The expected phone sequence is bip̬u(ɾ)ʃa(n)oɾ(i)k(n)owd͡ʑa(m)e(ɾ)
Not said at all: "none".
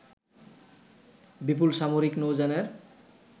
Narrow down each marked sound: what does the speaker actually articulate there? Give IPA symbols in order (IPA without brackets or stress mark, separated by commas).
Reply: l, m, i, n, n, ɾ